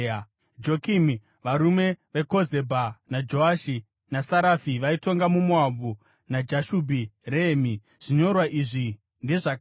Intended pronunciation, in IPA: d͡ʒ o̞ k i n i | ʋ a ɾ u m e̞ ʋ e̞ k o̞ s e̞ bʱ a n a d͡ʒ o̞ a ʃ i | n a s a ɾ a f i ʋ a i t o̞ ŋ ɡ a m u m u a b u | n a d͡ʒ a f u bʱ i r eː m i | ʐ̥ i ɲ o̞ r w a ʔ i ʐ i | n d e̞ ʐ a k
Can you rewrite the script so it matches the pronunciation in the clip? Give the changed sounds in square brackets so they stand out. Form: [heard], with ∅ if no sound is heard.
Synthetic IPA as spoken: d͡ʒ o̞ k i [m] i | ʋ a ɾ u m e̞ ʋ e̞ k o̞ [z] e̞ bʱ a n a d͡ʒ o̞ a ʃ i | n a s a ɾ a f i ʋ a i t o̞ ŋ ɡ a m u m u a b u | n a d͡ʒ a [ʃ] u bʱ i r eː m i | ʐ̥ i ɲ o̞ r w a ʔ i ʐ i | n d e̞ ʐ a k